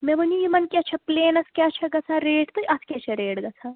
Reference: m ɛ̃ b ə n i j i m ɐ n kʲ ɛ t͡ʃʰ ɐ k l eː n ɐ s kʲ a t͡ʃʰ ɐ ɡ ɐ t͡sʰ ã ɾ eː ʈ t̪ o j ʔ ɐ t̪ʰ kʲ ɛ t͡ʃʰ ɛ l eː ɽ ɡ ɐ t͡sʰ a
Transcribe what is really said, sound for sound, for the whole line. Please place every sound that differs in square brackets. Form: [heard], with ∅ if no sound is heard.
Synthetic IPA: m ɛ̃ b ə n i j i m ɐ n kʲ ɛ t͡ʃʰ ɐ [p] l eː n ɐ s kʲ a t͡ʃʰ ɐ ɡ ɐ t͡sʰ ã ɾ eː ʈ t̪ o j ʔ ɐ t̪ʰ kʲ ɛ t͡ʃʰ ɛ [ɾ] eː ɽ ɡ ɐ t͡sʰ a